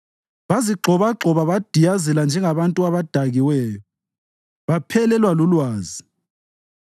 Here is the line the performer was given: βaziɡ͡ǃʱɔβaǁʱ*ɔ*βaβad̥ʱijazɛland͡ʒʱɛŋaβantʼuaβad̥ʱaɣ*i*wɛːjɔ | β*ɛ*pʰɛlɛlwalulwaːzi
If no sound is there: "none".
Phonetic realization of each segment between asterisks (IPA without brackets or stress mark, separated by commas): ɔ, i, a